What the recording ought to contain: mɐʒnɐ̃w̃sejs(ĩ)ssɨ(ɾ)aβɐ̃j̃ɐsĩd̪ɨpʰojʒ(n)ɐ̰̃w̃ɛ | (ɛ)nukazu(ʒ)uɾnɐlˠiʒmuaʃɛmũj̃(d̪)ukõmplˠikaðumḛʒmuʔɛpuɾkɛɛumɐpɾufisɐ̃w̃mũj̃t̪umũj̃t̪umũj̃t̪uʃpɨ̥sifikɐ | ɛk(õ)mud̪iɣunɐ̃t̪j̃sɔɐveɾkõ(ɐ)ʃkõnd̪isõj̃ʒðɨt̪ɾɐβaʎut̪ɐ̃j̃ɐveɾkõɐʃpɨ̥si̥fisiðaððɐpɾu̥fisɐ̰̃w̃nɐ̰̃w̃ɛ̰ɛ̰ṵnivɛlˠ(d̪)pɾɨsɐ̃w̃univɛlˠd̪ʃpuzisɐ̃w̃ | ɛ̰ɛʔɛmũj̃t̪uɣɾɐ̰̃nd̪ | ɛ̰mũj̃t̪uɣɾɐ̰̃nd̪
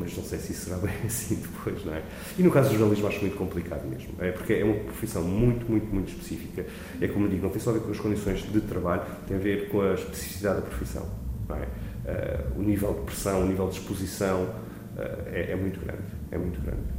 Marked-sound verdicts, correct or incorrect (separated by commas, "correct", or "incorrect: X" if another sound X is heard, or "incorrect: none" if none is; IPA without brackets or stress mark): incorrect: i, correct, correct, incorrect: i, correct, incorrect: t̪, incorrect: o, correct, correct